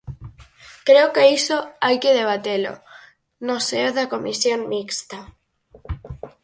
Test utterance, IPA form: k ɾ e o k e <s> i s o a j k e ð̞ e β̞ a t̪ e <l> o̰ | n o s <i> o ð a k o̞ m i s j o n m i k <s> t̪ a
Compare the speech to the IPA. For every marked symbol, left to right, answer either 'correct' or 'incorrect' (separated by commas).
incorrect, correct, incorrect, correct